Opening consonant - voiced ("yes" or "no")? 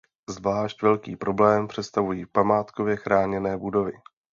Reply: yes